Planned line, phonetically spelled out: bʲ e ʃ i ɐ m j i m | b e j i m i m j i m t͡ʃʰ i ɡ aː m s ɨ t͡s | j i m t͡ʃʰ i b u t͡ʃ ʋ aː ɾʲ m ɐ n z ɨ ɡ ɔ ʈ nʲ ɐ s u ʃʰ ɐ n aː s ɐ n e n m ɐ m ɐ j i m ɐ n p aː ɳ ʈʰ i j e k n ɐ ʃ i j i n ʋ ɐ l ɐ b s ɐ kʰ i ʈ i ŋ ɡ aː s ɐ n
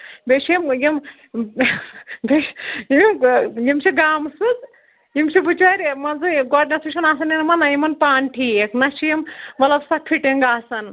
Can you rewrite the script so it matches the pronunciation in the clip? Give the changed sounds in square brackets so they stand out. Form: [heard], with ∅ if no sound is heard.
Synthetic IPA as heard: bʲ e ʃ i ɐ m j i m | b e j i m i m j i m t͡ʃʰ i ɡ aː m s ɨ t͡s | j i m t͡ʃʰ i b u t͡ʃ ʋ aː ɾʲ m ɐ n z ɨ ɡ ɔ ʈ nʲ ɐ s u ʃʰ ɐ n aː s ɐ n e n m ɐ [n] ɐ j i m ɐ n p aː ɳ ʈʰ i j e k n ɐ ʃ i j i [m] ʋ ɐ l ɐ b s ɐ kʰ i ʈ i ŋ ɡ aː s ɐ n